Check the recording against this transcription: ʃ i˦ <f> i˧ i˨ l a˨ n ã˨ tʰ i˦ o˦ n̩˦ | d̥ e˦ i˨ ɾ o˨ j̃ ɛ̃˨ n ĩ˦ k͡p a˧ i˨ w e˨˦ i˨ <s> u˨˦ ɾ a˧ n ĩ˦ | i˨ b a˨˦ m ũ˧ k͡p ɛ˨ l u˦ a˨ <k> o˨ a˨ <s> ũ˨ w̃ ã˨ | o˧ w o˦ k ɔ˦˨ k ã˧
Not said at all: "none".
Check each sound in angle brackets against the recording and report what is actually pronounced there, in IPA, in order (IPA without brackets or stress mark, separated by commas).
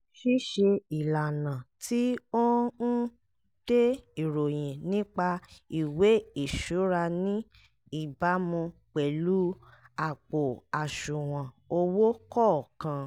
ʃ, ʃ, k͡p, ʃ